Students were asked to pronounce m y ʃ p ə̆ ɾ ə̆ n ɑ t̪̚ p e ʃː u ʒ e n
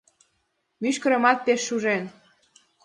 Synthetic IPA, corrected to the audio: m y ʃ k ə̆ ɾ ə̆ m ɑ t̪̚ p e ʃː u ʒ e n